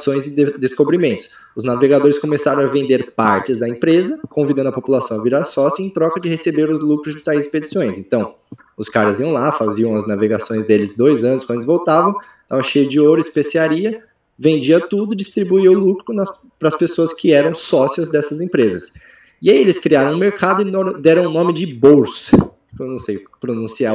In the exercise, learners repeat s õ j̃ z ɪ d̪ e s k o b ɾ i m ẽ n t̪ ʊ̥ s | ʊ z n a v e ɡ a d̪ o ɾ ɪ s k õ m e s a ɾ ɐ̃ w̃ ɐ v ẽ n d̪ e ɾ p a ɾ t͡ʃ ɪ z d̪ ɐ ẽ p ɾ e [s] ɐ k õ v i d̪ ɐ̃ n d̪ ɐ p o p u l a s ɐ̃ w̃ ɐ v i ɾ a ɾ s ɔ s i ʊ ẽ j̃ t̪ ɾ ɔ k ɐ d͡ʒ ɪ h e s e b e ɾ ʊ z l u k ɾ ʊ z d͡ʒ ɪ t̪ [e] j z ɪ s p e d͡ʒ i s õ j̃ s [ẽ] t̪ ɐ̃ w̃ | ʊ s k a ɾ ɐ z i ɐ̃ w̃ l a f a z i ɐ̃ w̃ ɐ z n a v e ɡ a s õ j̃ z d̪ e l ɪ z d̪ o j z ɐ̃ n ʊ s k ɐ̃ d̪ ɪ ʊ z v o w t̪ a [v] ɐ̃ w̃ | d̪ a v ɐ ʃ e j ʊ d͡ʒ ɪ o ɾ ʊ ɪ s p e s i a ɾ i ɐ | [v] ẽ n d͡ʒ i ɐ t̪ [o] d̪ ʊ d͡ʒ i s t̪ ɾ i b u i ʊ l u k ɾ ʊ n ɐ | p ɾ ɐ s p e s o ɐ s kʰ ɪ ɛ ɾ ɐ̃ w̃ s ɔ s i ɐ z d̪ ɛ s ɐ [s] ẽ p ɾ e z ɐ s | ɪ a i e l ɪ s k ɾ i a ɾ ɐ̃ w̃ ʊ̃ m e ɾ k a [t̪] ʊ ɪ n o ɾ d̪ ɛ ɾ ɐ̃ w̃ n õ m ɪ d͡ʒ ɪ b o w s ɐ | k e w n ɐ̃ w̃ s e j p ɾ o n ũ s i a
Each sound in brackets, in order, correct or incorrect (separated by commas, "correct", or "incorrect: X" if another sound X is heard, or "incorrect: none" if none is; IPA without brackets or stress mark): incorrect: z, incorrect: a, correct, correct, correct, incorrect: u, incorrect: z, incorrect: d̪